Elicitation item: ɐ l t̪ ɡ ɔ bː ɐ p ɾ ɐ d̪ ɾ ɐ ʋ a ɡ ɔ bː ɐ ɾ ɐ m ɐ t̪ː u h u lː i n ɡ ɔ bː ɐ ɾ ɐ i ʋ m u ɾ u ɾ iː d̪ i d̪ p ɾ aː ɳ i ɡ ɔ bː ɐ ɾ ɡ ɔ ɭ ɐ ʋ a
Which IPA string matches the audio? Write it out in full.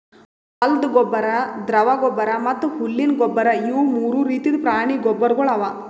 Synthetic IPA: ɐ l d̪ ɡ ɔ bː ɐ ɾ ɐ d̪ ɾ ɐ ʋ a ɡ ɔ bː ɐ ɾ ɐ m ɐ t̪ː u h u lː i n ɡ ɔ bː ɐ ɾ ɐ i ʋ m uː ɾ u ɾ iː t̪ i d̪ p ɾ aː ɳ i ɡ ɔ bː ɐ ɾ ɡ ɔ ɭ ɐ ʋ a